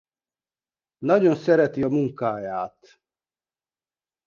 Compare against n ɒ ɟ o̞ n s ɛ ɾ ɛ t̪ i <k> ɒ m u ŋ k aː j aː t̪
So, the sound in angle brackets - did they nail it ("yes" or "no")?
no